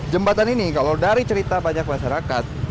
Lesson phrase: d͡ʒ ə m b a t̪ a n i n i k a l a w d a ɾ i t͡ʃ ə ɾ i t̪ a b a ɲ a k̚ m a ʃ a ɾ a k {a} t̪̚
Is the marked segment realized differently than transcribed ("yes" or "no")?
no